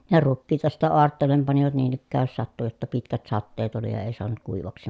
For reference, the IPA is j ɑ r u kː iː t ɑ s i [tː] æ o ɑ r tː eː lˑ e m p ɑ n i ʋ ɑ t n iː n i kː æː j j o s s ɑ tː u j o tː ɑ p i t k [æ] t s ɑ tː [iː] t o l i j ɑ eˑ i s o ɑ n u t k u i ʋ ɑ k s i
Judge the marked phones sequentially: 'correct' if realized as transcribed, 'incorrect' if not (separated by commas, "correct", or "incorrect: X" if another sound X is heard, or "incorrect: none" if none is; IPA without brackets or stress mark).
correct, correct, incorrect: eː